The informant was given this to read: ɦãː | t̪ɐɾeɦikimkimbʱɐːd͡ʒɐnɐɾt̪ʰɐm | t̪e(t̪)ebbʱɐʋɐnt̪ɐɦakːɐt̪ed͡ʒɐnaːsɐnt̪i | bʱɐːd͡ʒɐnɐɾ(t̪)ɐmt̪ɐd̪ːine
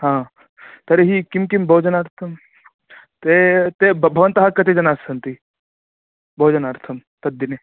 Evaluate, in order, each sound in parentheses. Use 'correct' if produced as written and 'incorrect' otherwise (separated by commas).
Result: correct, incorrect